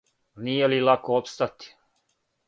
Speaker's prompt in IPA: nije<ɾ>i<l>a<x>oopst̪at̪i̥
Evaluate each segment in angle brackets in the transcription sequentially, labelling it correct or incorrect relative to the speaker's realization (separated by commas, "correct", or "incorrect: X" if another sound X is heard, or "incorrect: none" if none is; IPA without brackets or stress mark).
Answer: incorrect: l, correct, incorrect: k